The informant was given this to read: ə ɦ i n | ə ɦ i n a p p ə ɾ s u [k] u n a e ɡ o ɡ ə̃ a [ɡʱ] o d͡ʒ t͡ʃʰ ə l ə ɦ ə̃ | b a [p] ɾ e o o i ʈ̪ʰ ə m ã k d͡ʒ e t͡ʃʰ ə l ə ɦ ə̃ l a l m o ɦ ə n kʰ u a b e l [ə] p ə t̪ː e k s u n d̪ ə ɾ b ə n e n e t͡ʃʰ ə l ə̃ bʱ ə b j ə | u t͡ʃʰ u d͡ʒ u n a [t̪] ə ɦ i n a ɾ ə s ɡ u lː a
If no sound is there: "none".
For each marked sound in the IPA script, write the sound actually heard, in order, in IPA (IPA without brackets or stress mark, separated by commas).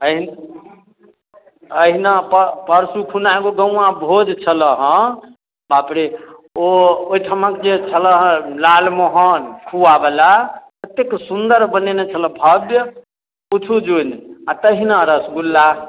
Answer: kʰ, bʱ, p, a, t̪